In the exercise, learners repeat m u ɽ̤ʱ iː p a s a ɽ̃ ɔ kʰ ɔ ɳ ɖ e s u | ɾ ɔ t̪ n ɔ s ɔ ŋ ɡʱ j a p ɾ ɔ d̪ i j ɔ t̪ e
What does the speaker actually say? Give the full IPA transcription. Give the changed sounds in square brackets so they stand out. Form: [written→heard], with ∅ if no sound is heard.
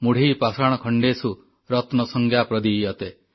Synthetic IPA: m u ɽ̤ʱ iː p a s a ɽ̃ ɔ kʰ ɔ ɳ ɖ e s u | ɾ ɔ t̪ n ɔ s ɔ ŋ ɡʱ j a p ɾ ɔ d̪ i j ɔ t̪ e